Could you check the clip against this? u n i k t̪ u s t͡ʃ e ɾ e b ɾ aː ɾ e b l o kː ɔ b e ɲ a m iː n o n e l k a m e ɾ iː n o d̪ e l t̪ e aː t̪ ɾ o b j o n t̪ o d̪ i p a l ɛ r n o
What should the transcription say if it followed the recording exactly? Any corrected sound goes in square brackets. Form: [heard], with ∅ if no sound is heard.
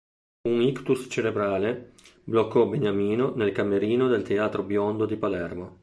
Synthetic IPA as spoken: u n i k t̪ u s t͡ʃ e ɾ e b ɾ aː [l] e b l o kː ɔ b e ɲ a m iː n o n e l k a m e ɾ iː n o d̪ e l t̪ e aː t̪ ɾ o b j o n [d̪] o d̪ i p a l ɛ r [m] o